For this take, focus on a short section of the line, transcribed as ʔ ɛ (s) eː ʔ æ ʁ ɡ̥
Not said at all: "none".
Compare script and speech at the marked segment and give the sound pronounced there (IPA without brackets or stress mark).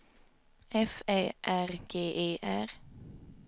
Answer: f